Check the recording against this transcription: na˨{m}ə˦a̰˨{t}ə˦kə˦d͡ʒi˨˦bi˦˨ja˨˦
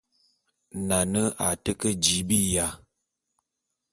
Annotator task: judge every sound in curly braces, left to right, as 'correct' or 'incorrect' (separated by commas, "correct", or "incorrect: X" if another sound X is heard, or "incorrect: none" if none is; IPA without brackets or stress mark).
incorrect: n, correct